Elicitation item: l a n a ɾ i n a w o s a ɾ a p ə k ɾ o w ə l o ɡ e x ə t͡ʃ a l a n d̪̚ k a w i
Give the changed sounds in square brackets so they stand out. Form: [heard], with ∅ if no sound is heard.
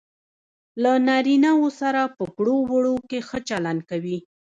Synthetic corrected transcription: l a n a ɾ i n a w o s a ɾ a p ə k [ɽ] o w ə [ɽ] o [k] e x ə t͡ʃ a l a n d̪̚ k a w i